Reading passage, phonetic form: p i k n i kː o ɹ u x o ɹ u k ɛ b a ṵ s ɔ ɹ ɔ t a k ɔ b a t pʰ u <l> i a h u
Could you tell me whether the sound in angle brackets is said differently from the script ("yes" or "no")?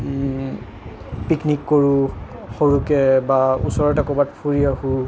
yes